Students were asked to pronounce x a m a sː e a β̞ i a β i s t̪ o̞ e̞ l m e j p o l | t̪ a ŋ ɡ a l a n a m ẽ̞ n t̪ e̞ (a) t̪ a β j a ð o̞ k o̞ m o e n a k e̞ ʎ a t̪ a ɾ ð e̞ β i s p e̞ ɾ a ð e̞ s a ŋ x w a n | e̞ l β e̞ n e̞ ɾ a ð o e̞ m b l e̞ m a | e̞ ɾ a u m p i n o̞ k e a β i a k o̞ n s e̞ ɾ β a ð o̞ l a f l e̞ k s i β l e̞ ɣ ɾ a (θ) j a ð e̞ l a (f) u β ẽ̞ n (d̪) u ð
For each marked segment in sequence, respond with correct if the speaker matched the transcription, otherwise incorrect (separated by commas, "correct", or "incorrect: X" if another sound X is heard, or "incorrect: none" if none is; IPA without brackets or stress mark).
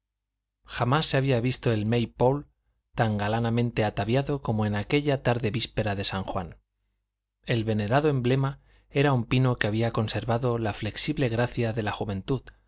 correct, correct, incorrect: x, incorrect: t̪